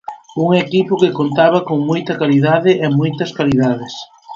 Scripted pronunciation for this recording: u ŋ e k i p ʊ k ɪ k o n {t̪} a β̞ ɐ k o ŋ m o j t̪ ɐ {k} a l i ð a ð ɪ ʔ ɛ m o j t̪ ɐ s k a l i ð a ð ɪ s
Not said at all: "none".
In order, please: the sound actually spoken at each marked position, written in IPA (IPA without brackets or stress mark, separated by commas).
t̪, k